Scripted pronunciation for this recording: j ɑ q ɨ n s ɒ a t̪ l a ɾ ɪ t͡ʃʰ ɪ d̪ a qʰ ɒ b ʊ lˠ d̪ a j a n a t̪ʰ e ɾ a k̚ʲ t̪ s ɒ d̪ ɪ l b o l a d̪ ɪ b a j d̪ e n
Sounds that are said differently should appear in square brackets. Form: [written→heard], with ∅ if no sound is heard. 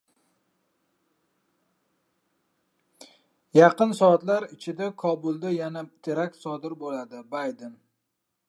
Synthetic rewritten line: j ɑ q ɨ n s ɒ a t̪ l a ɾ ɪ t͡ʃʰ ɪ d̪ a [qʰ→kʰ] ɒ b ʊ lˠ d̪ a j a n a t̪ʰ e ɾ a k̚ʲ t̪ s ɒ d̪ ɪ [l→ɾ] b o l a d̪ ɪ b a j d̪ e n